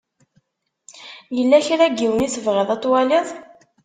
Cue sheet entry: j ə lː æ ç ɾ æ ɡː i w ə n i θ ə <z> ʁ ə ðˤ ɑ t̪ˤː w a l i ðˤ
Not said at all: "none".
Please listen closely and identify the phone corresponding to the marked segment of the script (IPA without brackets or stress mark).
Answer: v